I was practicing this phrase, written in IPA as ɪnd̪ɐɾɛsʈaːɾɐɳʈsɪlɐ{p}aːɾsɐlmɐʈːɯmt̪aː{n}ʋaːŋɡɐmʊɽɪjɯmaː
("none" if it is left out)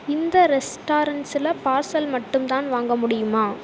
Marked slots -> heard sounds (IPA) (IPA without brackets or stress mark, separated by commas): p, n